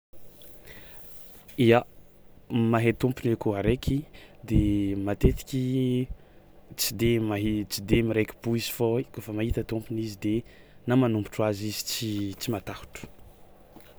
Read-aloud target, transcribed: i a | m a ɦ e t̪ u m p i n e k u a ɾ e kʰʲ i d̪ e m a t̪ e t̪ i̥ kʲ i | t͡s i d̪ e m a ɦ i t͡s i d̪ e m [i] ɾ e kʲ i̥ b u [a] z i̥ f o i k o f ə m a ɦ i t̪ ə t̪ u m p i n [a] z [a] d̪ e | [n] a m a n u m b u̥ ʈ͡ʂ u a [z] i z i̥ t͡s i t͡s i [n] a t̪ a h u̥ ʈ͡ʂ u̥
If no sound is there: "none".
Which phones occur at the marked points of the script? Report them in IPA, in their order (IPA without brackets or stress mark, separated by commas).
i, i, i, i, n, z, m